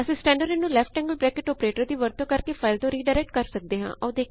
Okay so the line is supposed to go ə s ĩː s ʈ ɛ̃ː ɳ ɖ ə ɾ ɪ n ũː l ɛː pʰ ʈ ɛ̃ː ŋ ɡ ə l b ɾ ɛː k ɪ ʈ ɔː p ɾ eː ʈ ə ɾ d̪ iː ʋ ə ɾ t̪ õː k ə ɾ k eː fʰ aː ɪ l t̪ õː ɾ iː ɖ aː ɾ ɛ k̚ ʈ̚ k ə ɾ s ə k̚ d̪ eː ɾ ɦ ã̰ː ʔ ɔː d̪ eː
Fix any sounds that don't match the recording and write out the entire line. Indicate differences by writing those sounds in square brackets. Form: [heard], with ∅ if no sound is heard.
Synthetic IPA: ə s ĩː s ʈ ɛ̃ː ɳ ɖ ə ɾ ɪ n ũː l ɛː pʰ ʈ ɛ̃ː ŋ ɡ ə l b ɾ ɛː k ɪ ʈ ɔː p ɾ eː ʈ ə ɾ d̪ iː ʋ ə ɾ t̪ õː k ə ɾ k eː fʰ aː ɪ l t̪ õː ɾ iː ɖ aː ɾ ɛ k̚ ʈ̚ k ə ɾ s ə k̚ d̪ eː [∅] ɦ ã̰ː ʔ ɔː d̪ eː